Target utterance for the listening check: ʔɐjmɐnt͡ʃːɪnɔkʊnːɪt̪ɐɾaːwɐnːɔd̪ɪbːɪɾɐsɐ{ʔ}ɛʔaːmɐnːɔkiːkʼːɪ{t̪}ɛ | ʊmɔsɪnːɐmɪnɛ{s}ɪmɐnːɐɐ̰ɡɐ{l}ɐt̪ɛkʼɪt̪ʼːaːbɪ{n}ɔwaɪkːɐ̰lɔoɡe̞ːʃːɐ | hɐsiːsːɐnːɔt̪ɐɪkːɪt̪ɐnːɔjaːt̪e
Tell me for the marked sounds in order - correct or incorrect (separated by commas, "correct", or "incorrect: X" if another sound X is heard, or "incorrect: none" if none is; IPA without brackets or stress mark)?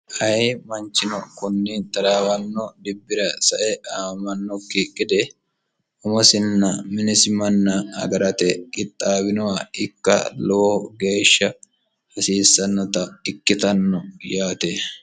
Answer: correct, incorrect: d̪, correct, incorrect: ɾ, correct